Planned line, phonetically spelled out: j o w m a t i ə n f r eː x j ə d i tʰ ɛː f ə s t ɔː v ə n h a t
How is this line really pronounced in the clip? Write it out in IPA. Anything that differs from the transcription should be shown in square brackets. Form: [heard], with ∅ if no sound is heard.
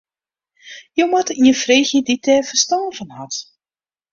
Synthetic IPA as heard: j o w m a t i ə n f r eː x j ə d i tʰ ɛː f ə s t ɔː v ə n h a t